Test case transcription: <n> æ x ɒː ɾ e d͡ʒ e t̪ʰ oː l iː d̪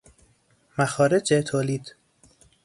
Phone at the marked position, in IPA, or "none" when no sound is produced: m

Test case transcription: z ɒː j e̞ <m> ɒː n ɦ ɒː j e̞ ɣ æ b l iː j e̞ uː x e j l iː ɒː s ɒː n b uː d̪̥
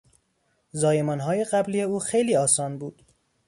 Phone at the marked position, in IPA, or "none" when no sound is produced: m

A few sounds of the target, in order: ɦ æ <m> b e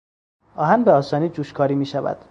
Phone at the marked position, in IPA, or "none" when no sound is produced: n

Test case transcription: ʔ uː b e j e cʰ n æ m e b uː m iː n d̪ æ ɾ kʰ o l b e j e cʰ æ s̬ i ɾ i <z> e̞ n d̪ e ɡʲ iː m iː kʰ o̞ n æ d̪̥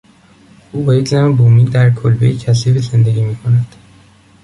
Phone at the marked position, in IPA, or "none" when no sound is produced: z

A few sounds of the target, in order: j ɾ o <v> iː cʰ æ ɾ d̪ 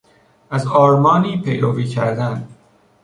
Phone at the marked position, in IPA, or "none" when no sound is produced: v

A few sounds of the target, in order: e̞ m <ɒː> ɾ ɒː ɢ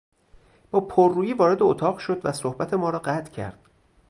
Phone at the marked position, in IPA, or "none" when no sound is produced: ɒː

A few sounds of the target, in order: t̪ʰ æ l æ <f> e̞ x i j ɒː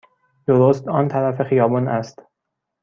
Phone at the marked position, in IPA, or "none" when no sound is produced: f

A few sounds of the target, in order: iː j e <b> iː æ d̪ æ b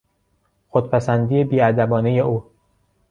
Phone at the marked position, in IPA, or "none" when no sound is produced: b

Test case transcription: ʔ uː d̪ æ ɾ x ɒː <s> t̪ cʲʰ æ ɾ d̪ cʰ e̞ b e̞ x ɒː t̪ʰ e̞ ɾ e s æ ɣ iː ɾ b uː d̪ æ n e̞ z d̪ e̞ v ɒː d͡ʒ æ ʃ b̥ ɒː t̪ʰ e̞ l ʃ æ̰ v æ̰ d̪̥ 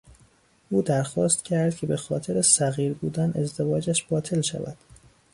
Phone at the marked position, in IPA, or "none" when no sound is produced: s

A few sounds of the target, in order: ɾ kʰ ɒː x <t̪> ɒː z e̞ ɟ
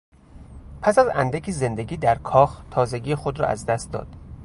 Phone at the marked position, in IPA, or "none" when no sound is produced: t̪ʰ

